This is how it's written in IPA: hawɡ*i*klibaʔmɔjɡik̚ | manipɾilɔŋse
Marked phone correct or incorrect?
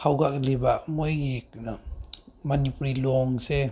incorrect